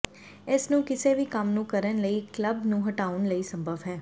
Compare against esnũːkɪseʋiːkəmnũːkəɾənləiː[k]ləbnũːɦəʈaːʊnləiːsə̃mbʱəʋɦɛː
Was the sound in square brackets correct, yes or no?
yes